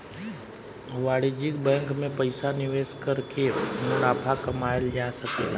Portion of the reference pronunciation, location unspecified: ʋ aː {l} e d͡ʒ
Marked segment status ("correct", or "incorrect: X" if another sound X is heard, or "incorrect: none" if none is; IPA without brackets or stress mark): incorrect: ɽ